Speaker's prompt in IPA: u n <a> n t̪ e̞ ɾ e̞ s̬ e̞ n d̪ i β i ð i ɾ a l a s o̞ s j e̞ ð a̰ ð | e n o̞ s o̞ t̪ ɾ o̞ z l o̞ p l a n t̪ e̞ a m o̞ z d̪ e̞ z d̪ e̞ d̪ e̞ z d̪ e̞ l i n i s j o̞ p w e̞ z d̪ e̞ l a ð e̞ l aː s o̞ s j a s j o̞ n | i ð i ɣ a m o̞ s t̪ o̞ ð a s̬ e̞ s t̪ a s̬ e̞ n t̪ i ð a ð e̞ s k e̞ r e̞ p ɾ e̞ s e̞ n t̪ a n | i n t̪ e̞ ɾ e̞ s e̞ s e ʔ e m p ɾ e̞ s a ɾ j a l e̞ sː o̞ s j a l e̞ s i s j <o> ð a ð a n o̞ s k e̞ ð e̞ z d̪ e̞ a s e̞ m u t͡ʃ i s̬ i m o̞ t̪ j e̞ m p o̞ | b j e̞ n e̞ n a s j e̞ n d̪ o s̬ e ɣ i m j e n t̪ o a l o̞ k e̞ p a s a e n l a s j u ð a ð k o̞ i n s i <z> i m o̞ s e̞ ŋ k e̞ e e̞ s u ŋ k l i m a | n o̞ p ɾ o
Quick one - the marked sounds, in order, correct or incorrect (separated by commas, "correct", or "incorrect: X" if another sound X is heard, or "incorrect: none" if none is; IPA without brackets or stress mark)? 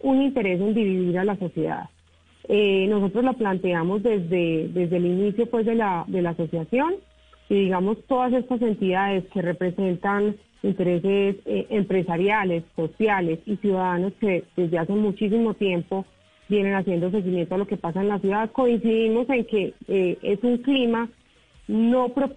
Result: incorrect: i, incorrect: u, incorrect: ð